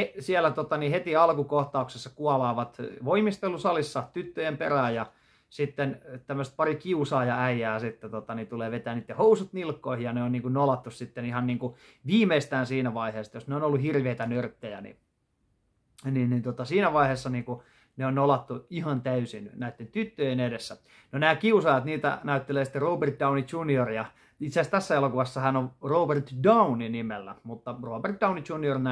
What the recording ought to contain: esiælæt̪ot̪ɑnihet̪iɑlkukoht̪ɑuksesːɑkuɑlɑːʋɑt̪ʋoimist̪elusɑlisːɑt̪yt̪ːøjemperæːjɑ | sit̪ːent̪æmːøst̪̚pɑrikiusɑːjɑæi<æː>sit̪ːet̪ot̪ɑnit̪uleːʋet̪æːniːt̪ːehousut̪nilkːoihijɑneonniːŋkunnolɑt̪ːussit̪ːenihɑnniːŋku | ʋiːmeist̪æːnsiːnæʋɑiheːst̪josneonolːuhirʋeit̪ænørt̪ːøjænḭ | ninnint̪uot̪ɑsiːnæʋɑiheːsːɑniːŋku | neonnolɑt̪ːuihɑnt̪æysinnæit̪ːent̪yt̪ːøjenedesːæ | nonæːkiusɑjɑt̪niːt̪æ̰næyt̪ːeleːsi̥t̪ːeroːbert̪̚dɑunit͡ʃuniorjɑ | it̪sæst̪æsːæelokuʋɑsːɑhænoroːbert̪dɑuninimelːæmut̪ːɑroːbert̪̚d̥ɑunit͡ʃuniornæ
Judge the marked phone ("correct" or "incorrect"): correct